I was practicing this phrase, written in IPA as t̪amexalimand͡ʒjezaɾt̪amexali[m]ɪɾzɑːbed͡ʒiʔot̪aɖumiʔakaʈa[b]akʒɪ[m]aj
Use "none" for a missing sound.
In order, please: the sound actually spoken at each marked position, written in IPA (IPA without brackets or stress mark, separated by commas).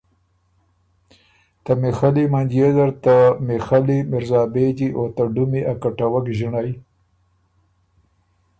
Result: m, w, ɳ